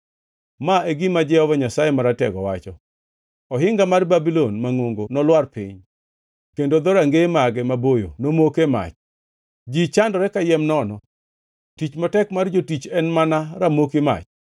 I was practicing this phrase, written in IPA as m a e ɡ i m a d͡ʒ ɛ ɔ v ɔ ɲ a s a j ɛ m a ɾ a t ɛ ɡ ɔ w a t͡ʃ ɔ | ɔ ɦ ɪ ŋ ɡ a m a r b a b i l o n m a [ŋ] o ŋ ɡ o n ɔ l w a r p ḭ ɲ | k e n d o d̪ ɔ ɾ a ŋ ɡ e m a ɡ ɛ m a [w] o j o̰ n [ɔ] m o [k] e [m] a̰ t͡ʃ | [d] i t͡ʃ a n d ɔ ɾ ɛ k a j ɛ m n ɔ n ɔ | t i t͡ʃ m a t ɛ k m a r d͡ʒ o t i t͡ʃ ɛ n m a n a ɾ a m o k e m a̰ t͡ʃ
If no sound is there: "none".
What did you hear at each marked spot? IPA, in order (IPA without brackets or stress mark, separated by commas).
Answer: ŋ, b, o, k, m, d͡ʒ